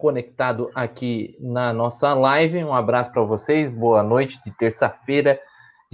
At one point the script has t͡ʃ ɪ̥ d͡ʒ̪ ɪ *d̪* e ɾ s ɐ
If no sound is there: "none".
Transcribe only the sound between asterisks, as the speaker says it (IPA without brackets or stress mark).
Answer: t̪